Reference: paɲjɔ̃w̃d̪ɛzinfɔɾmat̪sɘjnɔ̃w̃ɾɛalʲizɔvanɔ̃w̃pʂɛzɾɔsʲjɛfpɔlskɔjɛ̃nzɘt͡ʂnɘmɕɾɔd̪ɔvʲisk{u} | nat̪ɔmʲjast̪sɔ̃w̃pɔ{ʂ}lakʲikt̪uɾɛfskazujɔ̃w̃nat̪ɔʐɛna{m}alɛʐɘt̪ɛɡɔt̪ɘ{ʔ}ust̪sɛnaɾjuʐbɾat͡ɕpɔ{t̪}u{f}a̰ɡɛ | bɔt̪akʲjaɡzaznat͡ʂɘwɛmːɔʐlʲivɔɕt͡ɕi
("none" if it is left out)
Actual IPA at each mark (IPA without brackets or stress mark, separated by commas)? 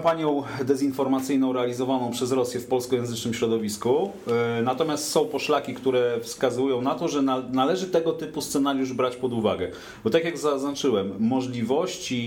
u, ʂ, n, p, d̪, v